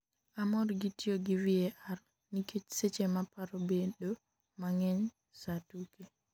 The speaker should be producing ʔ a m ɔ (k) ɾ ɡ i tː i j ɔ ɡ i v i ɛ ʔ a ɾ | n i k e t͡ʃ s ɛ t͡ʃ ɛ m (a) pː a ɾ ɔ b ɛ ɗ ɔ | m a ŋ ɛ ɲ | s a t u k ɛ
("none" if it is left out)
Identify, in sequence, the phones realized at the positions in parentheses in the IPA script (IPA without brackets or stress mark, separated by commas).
none, a